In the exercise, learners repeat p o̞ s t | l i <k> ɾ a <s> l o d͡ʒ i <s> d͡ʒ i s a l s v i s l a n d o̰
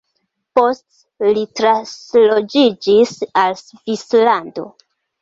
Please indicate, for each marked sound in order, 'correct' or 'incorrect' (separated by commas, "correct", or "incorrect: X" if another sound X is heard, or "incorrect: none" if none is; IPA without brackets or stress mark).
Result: incorrect: t, correct, incorrect: none